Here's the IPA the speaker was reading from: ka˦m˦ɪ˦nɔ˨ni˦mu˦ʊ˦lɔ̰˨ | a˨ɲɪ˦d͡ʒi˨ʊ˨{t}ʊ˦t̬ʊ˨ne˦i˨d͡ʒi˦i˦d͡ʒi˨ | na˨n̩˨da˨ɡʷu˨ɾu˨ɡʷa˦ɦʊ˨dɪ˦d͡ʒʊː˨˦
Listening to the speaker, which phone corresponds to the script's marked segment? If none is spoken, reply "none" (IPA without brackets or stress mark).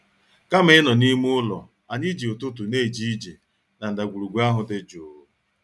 t